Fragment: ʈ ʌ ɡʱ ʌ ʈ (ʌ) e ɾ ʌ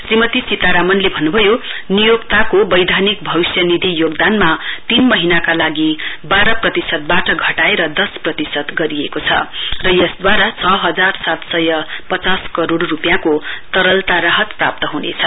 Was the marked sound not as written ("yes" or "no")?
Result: yes